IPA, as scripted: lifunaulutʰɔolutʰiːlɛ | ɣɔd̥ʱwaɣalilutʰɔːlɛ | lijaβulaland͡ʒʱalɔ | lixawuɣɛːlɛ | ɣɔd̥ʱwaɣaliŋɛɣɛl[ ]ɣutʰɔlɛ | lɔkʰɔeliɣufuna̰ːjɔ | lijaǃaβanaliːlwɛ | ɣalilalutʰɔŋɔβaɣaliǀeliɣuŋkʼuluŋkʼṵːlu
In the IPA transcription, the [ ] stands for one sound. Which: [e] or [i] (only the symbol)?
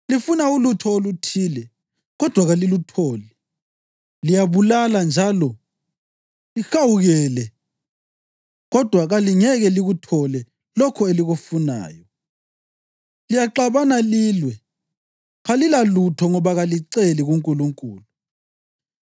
i